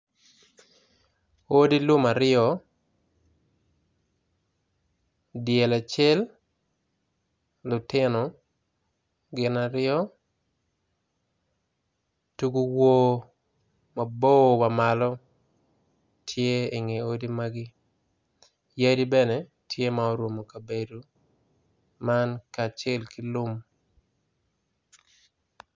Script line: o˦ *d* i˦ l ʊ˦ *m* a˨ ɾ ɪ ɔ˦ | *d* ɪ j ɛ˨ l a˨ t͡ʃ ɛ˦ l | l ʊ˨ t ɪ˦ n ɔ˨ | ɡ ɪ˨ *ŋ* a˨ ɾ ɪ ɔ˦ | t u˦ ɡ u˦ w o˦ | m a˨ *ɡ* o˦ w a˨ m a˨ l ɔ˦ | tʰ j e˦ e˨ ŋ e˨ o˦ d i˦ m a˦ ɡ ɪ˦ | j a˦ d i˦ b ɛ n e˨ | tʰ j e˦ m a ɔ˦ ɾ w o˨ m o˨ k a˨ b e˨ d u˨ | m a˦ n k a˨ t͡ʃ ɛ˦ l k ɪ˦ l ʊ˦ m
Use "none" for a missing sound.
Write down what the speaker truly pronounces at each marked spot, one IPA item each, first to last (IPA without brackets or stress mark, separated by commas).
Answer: d, m, d, n, b